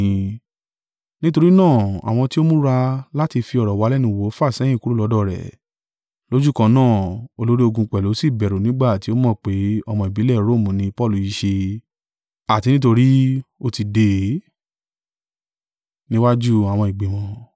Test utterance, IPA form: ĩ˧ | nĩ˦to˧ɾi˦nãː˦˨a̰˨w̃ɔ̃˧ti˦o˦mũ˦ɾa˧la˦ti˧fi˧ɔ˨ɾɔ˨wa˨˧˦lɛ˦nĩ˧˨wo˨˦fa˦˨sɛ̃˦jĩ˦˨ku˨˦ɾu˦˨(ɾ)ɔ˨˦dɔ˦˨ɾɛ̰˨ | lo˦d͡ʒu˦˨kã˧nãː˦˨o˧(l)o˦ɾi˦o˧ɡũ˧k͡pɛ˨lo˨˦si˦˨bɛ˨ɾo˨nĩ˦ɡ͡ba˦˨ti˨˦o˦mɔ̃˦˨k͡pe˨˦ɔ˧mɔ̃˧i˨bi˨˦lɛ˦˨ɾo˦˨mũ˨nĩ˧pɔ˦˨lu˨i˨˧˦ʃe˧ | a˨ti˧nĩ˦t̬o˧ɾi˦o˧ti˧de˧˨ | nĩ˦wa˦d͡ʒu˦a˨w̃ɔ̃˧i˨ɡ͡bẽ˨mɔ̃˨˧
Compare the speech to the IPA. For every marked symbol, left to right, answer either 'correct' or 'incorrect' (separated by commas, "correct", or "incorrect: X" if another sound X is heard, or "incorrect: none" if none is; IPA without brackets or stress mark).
incorrect: l, correct